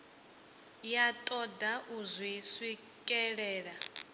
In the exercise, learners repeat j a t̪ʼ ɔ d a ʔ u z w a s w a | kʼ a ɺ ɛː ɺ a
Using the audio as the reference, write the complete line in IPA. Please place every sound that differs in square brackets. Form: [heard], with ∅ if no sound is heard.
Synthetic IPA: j a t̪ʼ ɔ d a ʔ u z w [i] s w [i] | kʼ [ɛ] ɺ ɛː ɺ a